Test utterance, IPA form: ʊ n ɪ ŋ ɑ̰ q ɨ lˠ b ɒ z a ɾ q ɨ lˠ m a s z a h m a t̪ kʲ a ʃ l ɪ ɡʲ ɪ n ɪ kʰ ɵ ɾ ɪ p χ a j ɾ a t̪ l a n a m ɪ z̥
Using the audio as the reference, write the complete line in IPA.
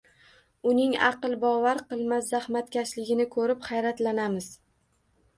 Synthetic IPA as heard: ʊ n ɪ ŋ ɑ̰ q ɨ lˠ b ɒ v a ɾ q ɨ lˠ m a s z a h m a t̪ kʲ a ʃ l ɪ ɡʲ ɪ n ɪ kʰ ɵ ɾ ɪ p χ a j ɾ a t̪ l a n a m ɪ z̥